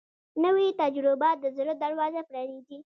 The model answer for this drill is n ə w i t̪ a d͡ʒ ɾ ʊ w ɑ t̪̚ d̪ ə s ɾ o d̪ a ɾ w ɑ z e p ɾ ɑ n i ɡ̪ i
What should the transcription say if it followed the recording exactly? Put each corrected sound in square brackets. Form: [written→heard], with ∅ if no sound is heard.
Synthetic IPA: n ə w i t̪ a d͡ʒ ɾ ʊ [w→b] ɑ t̪̚ d̪ ə [s→z] ɾ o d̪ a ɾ w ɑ z [e→a] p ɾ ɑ n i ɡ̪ i

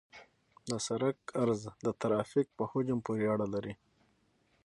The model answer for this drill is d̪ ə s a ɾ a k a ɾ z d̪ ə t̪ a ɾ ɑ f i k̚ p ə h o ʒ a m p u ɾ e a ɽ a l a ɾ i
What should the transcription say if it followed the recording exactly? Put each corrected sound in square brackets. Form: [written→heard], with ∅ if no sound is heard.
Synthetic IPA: d̪ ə s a ɾ a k a ɾ z d̪ ə t̪ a ɾ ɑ f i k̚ p ə h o [ʒ→d͡ʒ] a m p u ɾ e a ɽ a l a ɾ i

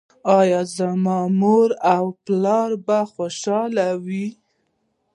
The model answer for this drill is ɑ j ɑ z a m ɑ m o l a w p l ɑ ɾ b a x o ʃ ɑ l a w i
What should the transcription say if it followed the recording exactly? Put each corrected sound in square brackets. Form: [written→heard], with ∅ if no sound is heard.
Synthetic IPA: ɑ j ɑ z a m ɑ m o [l→ɾ] a w p l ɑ ɾ b a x o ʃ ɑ l a w i

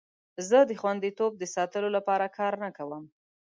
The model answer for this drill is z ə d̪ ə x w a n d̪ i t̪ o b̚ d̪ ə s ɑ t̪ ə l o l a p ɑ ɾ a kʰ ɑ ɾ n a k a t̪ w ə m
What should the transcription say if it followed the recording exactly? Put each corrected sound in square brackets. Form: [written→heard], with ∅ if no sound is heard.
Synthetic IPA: z ə d̪ ə x w a n d̪ i t̪ o b̚ d̪ ə s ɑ t̪ ə l o l a p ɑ ɾ a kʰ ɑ ɾ n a k a [t̪→∅] w ə m

